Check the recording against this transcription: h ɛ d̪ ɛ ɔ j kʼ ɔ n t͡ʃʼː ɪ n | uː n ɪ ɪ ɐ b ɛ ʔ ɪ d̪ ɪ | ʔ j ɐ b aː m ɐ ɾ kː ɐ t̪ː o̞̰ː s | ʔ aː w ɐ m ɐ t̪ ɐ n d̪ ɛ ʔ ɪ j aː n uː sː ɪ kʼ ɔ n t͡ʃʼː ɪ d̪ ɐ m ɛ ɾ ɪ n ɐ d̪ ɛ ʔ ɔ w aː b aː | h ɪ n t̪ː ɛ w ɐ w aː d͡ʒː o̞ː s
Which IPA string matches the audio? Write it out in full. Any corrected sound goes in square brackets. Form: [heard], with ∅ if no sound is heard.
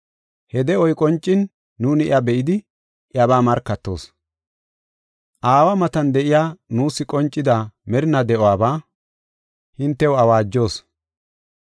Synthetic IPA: h ɛ d̪ ɛ ɔ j kʼ ɔ n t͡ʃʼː ɪ [nː] | uː n ɪ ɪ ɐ b ɛ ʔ ɪ d̪ ɪ | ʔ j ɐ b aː m ɐ ɾ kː ɐ t̪ː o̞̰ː s | ʔ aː w ɐ m ɐ t̪ ɐ n d̪ ɛ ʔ ɪ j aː n uː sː ɪ kʼ ɔ n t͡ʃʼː ɪ d̪ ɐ m ɛ ɾ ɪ n ɐ d̪ ɛ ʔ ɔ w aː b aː | h ɪ n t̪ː ɛ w ɐ w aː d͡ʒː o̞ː s